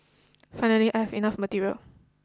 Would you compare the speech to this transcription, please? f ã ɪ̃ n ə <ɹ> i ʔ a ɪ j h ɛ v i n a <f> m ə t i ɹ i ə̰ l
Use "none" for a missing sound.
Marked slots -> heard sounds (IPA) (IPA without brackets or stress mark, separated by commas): l, f